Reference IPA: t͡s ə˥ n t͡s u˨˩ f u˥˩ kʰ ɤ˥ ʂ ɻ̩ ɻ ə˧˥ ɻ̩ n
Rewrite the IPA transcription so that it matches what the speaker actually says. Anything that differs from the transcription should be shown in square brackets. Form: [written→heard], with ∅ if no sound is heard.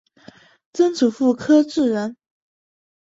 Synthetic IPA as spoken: t͡s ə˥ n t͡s u˨˩ f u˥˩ kʰ ɤ˥ [ʂ→ʈ͡ʂ] ɻ̩ ɻ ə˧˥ [ɻ̩→∅] n